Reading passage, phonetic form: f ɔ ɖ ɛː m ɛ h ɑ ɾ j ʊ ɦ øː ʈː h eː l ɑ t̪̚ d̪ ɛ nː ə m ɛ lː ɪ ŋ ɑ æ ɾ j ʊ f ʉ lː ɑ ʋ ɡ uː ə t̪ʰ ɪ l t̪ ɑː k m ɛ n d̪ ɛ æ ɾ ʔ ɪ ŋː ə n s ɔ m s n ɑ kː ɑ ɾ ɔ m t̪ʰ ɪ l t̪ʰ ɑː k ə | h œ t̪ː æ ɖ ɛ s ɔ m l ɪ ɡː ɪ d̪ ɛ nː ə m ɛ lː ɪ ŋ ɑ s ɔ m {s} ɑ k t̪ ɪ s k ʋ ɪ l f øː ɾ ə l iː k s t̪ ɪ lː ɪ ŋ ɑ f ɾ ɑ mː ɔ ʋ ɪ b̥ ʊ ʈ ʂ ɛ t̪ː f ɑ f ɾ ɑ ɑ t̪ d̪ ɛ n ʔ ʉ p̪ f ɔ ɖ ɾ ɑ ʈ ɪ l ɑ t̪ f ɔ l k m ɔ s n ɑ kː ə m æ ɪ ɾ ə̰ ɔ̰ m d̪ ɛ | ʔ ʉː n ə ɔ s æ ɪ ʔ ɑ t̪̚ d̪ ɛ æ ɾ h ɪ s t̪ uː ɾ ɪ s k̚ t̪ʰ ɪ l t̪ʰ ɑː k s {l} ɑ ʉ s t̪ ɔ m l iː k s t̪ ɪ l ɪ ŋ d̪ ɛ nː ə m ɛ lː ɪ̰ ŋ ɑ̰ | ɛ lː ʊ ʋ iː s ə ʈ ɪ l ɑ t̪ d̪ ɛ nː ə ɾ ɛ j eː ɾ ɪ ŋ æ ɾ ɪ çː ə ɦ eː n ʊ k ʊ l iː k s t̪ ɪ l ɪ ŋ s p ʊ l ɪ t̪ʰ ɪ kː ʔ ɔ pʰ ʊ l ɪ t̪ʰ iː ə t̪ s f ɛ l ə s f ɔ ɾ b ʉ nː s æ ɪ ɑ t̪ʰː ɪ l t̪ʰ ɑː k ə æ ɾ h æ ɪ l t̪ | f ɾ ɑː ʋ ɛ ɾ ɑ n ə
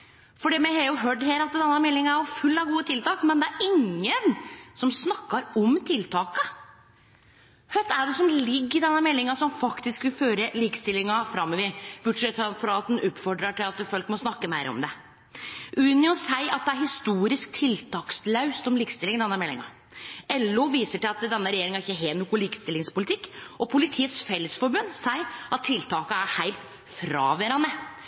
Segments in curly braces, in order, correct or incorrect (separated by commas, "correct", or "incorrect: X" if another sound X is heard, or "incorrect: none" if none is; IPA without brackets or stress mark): incorrect: f, correct